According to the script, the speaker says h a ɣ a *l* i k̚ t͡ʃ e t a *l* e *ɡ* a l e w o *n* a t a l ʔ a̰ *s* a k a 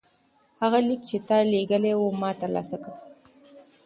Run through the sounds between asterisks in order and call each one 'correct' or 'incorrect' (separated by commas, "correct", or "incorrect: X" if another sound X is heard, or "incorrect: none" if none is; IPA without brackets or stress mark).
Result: correct, correct, correct, incorrect: m, correct